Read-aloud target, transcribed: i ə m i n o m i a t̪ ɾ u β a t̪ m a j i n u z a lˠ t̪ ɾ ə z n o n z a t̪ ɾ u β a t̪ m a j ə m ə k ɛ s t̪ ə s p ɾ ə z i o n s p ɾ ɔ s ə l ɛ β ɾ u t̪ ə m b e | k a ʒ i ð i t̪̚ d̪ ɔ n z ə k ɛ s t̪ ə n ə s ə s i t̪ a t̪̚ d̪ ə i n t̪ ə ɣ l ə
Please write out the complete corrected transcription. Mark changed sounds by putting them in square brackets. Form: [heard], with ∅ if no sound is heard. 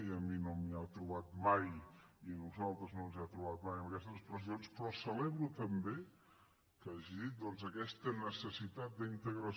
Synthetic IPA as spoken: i ə m i n o m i a t̪ ɾ u β a t̪ m a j i n u z a lˠ t̪ ɾ ə z n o n z a t̪ ɾ u β a t̪ m a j ə m ə k ɛ s t̪ ə s p ɾ ə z i o n s p ɾ ɔ s ə l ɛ β ɾ u t̪ ə m b e | k a ʒ i ð i t̪̚ d̪ ɔ n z ə k ɛ s t̪ ə n ə s ə s i t̪ a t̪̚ d̪ ə i n t̪ ə ɣ [ɾ] ə